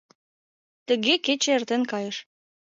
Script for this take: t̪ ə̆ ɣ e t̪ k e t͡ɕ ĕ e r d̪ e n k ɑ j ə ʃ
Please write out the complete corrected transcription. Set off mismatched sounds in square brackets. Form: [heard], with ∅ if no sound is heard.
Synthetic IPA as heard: t̪ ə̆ ɣ e [∅] k e t͡ɕ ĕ e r [t̪] e n k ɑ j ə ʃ